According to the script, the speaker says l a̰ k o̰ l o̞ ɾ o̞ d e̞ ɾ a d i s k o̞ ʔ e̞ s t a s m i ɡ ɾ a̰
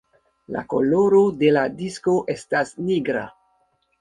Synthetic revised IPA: l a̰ k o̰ l o̞ ɾ o̞ d e̞ l a d i s k o̞ ʔ e̞ s t a s n i ɡ ɾ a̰